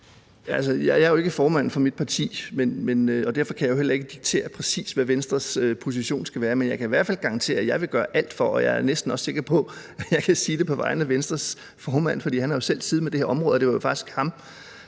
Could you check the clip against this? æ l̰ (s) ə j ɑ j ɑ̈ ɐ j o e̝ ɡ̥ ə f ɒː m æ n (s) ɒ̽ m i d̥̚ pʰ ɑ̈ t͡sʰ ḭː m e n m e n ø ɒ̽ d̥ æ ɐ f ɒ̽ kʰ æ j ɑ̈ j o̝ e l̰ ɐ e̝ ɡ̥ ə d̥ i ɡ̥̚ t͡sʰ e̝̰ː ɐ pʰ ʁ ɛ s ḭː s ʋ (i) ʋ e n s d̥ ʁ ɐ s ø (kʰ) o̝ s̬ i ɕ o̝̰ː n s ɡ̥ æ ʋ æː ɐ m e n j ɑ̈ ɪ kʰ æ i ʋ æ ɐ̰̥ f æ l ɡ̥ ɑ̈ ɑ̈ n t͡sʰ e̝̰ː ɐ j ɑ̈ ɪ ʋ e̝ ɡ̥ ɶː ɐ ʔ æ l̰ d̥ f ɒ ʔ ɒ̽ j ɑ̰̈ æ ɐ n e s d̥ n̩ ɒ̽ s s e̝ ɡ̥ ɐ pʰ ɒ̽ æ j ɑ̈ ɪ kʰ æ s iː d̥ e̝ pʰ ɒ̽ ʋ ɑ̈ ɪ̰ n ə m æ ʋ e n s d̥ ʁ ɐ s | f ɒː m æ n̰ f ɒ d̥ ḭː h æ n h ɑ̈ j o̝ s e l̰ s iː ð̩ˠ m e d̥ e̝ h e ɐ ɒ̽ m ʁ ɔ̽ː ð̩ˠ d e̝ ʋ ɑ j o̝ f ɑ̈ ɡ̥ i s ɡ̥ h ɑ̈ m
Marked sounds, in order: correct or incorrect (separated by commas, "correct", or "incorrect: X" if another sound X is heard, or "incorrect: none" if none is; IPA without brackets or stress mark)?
correct, incorrect: f, incorrect: æ, incorrect: pʰ